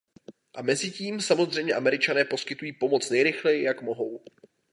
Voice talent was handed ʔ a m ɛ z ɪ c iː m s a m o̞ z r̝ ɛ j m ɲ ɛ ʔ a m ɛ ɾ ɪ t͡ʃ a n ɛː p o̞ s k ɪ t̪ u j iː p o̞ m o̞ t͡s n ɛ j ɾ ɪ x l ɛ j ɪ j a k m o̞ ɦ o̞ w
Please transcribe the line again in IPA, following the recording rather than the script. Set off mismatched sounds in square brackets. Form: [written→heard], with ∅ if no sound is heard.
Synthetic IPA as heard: ʔ a m ɛ z ɪ c iː m s a m o̞ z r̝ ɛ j m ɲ ɛ ʔ a m ɛ ɾ ɪ t͡ʃ a n ɛː p o̞ s k ɪ t̪ u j iː p o̞ m o̞ t͡s n ɛ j ɾ ɪ x l ɛ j ɪ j a k m o̞ ɦ o̞ w